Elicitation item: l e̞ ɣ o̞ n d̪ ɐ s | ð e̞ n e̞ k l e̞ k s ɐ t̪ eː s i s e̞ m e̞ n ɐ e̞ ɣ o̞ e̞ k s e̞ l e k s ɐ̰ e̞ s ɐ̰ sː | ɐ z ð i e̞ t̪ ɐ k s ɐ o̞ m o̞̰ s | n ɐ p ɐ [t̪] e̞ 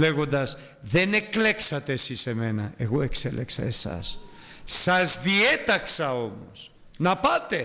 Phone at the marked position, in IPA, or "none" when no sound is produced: t̪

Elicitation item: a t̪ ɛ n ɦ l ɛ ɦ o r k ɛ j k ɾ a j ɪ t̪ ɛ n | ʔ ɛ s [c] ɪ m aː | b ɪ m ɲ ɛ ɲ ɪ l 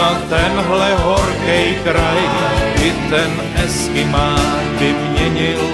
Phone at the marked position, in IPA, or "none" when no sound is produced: k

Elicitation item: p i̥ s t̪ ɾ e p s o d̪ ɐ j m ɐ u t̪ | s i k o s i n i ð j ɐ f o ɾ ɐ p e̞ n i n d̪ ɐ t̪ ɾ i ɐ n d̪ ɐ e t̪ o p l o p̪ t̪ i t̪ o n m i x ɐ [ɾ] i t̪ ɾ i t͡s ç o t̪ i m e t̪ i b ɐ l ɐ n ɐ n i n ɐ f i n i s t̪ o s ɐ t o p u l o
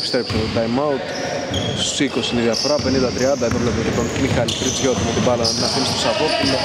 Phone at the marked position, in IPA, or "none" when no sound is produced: l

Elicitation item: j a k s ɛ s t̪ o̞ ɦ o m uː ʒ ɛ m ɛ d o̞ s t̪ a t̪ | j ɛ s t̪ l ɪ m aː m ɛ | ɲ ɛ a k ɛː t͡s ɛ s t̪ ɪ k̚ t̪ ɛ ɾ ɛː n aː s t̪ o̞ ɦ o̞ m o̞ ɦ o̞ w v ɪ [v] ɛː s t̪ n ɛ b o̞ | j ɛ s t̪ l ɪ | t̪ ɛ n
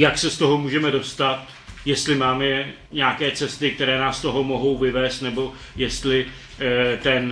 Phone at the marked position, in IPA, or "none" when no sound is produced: v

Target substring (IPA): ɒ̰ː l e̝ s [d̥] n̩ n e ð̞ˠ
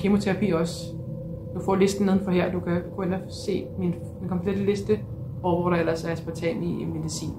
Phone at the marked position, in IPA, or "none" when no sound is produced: d̥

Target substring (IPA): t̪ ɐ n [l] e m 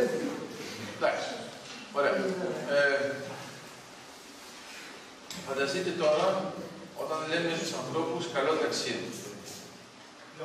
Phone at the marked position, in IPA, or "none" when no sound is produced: l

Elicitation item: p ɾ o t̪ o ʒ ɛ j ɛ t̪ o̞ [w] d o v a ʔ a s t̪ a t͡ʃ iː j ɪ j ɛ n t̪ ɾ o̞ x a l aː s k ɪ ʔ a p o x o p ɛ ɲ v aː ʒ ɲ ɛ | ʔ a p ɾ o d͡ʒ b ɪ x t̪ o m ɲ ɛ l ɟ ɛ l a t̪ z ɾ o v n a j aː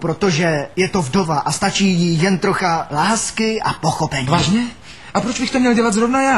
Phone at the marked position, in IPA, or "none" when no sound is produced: v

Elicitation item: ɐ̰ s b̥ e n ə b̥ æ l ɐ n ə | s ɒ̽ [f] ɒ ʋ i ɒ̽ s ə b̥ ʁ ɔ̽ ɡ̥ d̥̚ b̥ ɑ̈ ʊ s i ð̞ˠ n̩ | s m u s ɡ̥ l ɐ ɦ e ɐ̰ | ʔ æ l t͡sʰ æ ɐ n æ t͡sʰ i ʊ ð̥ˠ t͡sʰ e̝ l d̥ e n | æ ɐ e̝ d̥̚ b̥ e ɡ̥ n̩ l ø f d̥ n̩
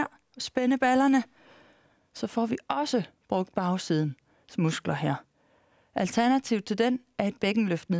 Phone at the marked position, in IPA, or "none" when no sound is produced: f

